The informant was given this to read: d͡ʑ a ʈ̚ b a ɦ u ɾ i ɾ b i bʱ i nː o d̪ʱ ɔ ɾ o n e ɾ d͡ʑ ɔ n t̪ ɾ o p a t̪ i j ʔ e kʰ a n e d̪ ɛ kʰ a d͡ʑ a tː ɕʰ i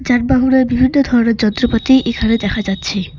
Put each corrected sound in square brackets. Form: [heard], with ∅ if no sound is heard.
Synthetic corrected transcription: d͡ʑ a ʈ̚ b a ɦ u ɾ [e] ɾ b i bʱ i nː o d̪ʱ ɔ ɾ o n e ɾ d͡ʑ ɔ n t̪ ɾ o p a t̪ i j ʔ e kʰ a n e d̪ ɛ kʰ a d͡ʑ a tː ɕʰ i